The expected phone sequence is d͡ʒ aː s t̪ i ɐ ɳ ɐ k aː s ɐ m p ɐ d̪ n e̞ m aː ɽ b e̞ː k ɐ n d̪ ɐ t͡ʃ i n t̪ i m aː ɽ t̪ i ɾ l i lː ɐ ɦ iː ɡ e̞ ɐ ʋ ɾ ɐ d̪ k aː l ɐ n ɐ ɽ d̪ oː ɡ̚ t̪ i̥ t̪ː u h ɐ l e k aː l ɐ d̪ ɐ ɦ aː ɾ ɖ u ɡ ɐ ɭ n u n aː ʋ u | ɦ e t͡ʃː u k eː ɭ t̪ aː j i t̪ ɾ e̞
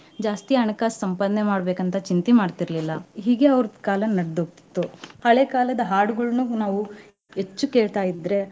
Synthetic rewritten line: d͡ʒ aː s t̪ i ɐ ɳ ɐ k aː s ɐ m p ɐ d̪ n e̞ m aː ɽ b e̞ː k ɐ n t̪ ɐ t͡ʃ i n t̪ i m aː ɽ t̪ i ɾ l i lː ɐ ɦ iː ɡ e̞ ɐ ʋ ɾ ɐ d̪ k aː l ɐ n ɐ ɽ d̪ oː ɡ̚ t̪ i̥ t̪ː u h ɐ ɭ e k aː l ɐ d̪ ɐ ɦ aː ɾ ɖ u ɡ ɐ ɭ n u n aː ʋ u | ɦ e t͡ʃː u k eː ɭ t̪ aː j i d̪ ɾ e̞